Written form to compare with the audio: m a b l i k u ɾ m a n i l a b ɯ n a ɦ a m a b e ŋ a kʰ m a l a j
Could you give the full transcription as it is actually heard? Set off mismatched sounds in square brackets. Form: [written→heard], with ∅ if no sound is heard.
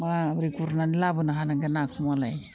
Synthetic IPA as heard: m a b [l→ɾ] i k u ɾ [m→n] a n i l a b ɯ n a ɦ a [m→n] a [b→ɡ] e [ŋ→n] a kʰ m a l a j